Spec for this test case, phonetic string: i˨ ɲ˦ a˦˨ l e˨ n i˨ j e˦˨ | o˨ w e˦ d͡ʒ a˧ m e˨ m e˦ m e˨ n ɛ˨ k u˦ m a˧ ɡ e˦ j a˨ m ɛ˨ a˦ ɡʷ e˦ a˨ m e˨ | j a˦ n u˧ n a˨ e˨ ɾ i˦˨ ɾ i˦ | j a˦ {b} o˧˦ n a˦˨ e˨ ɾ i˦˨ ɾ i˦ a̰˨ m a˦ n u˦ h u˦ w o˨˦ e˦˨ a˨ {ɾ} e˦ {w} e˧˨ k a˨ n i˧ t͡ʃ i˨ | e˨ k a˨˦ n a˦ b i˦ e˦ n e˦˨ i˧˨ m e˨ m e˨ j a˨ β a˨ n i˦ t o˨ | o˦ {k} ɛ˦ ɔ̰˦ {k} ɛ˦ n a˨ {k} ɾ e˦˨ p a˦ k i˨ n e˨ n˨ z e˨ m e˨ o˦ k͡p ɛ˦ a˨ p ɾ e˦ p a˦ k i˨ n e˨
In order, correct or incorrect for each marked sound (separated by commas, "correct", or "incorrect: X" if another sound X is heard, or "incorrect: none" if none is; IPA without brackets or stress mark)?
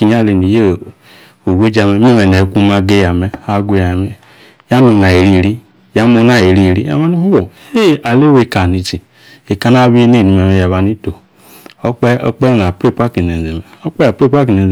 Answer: incorrect: m, incorrect: l, correct, incorrect: k͡p, incorrect: k͡p, incorrect: p